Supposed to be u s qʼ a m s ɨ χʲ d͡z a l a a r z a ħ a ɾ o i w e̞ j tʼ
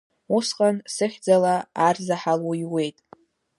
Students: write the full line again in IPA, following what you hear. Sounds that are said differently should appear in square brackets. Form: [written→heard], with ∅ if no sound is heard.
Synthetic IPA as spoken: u s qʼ a [m→n] s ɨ χʲ d͡z a l a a r z a ħ a [ɾ→l] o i w e̞ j tʼ